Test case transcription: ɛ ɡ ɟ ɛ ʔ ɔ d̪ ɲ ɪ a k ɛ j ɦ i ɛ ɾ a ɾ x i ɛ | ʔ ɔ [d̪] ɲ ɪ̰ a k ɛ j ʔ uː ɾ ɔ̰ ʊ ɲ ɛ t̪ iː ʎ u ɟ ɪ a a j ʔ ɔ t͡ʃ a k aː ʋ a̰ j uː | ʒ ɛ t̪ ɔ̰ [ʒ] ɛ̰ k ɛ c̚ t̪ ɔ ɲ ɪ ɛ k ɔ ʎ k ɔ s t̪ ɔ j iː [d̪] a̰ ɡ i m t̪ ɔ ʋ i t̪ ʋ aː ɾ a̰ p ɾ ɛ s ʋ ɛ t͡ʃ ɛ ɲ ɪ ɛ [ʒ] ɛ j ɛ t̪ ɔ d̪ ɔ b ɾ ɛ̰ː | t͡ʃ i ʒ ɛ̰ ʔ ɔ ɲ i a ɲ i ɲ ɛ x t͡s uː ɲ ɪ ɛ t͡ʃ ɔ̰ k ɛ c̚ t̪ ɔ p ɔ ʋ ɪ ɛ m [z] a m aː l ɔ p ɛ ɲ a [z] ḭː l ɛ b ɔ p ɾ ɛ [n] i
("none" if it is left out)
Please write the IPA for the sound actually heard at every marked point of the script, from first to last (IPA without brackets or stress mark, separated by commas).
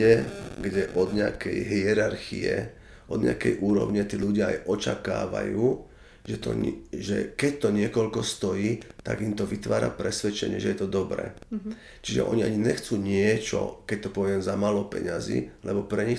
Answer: d̪, ʒ, t̪, ʒ, z, z, ɲ